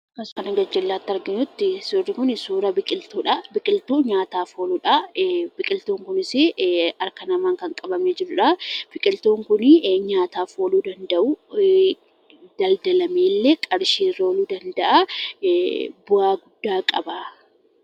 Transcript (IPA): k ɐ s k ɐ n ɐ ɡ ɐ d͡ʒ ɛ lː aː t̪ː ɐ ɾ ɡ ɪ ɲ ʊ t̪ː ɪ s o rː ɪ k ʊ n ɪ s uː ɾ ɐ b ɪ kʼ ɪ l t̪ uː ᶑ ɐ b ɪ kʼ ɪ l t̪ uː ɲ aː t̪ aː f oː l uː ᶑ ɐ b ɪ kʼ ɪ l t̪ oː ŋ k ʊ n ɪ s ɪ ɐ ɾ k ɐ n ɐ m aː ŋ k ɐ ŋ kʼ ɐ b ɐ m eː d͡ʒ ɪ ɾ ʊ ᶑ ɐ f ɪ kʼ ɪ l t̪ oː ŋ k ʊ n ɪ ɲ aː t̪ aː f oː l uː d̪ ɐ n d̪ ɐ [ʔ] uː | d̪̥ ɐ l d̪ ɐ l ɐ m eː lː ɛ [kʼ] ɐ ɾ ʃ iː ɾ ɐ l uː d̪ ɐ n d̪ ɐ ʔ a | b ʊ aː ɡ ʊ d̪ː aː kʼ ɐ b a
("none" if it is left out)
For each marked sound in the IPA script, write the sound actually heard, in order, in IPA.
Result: ʔ, kʼ

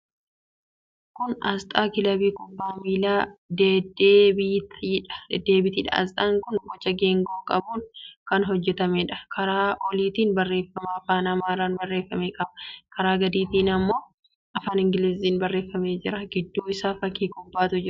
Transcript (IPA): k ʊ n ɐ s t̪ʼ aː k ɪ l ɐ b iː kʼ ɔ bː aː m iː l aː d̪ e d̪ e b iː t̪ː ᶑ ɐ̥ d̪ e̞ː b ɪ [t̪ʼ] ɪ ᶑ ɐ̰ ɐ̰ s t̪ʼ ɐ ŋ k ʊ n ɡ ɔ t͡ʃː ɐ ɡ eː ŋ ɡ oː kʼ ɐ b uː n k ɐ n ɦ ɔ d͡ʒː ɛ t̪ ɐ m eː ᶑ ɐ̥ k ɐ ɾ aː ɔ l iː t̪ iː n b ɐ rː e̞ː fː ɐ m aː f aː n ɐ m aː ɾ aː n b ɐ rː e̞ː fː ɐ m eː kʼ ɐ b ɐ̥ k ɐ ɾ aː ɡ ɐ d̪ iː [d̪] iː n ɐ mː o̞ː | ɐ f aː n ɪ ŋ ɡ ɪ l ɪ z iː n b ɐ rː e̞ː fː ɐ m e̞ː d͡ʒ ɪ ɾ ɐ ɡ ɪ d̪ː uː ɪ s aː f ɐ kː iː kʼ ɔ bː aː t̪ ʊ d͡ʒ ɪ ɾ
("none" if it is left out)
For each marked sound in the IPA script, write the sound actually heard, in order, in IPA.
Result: t̪, t̪

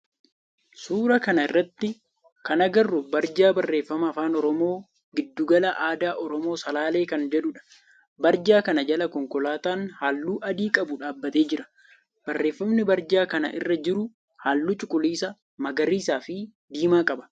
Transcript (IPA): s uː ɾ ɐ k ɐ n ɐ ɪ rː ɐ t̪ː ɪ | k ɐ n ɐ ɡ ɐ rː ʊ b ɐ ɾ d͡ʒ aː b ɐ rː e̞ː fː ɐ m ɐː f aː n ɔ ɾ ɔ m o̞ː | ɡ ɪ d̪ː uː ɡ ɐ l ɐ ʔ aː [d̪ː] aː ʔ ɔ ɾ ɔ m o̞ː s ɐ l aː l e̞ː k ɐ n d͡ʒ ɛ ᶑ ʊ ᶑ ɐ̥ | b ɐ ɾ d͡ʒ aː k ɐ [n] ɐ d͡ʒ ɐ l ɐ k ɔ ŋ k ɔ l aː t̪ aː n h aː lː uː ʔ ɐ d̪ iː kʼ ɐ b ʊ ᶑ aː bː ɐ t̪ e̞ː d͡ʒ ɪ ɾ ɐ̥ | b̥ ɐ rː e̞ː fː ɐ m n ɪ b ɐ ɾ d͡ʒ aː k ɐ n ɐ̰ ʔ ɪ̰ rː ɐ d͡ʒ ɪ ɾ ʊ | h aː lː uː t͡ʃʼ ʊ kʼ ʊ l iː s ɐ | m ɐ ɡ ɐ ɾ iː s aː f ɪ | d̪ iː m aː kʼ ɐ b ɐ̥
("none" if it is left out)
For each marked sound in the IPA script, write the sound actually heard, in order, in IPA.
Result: d̪, n

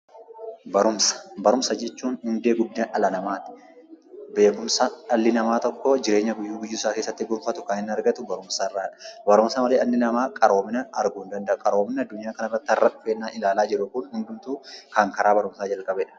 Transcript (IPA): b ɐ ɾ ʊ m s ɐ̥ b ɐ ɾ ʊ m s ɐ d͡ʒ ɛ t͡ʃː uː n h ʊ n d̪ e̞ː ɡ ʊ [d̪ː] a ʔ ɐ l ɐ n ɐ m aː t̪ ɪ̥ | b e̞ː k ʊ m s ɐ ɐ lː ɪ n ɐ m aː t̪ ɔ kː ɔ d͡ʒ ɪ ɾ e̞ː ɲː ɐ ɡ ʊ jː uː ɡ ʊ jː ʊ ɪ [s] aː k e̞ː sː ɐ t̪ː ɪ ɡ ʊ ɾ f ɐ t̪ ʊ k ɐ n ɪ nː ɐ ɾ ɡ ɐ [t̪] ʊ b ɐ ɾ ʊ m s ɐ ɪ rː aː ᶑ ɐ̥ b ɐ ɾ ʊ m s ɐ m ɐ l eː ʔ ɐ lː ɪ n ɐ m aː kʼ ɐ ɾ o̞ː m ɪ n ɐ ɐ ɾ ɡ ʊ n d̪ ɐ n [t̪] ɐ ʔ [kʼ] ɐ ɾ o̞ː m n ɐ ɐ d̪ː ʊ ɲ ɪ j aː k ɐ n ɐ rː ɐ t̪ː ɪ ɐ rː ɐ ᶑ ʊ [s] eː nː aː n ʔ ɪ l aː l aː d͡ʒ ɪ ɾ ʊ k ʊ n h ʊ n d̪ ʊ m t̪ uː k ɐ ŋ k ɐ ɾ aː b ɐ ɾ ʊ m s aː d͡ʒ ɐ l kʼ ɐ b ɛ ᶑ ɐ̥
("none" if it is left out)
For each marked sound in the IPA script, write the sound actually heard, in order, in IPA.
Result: d̪ː, s, t̪, d̪, kʼ, f

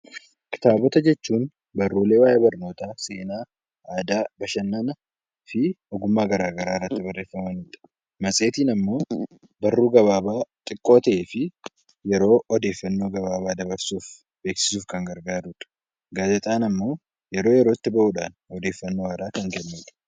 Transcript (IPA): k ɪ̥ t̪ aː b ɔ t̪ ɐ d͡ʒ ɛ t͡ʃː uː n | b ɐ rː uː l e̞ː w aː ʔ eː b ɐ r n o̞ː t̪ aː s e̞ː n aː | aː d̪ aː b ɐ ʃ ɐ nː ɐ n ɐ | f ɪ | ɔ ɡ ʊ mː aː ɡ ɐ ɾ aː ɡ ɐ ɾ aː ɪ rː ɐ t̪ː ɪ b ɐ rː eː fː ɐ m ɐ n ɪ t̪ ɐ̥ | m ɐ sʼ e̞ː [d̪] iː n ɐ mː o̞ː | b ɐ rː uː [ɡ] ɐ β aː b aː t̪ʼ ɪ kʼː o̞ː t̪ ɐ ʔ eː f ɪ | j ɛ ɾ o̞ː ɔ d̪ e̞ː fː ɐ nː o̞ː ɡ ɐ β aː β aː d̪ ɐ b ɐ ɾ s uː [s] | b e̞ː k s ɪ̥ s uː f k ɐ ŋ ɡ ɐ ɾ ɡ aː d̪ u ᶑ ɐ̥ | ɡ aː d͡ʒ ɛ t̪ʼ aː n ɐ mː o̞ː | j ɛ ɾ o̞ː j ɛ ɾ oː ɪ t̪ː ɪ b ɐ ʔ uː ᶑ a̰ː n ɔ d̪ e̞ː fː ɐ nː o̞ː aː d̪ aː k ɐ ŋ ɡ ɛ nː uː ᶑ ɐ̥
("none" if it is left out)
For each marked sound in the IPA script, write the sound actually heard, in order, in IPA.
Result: t̪, ɡ, f

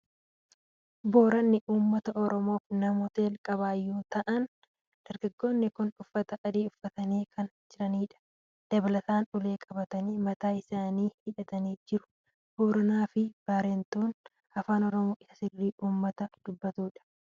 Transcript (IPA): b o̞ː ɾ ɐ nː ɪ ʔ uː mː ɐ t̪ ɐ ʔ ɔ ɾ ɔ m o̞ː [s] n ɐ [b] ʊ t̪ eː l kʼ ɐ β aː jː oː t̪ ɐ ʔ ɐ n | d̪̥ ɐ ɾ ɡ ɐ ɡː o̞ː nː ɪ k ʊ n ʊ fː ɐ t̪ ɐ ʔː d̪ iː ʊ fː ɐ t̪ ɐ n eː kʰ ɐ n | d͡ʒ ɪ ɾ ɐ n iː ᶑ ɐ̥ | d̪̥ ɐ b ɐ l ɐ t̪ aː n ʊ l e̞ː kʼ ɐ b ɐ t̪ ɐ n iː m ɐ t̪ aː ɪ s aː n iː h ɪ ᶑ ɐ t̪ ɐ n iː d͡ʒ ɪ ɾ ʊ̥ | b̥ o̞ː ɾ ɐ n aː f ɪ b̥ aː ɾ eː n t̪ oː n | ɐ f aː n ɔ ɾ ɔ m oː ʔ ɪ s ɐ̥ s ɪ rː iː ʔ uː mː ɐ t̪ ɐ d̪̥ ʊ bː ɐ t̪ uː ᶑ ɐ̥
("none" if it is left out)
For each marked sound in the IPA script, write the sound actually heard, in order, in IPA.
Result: f, m

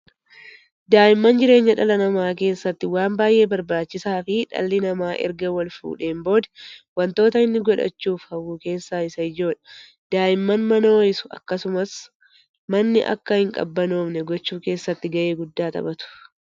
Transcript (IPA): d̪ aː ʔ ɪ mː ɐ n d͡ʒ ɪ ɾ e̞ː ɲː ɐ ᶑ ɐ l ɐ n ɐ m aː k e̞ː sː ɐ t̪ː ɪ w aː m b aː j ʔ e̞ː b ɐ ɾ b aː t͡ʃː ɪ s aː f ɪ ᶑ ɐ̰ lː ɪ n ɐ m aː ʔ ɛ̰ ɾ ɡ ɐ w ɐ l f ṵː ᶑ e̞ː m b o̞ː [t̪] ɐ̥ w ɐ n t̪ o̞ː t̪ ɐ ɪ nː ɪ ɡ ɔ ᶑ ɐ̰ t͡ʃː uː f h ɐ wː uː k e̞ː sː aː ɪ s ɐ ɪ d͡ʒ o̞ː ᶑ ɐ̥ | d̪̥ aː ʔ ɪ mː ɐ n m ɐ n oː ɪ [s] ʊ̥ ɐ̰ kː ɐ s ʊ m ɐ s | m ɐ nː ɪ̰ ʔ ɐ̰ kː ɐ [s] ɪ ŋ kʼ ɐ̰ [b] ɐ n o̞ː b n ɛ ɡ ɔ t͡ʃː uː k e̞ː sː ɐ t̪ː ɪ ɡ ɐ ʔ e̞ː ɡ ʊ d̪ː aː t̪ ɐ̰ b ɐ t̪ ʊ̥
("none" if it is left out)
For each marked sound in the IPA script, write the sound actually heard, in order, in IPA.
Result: d̪, s, h, bː

